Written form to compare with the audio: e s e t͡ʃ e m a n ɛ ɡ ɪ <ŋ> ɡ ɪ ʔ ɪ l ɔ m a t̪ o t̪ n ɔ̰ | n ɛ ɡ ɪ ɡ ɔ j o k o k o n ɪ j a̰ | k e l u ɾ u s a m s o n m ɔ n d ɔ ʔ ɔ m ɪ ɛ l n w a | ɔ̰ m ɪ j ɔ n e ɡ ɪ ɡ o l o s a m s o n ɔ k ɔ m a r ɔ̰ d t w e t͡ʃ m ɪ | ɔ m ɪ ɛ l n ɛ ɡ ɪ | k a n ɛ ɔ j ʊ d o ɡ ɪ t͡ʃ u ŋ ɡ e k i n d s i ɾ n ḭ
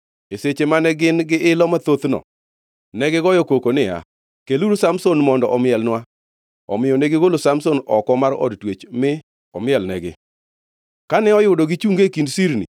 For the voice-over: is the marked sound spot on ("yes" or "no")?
no